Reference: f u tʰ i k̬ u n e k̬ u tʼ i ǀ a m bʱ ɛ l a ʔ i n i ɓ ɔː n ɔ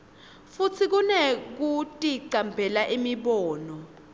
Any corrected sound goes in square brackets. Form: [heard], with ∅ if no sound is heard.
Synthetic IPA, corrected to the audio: f u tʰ i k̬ u n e k̬ u tʼ i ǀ a m bʱ ɛ l a ʔ i [m] i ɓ ɔː n ɔ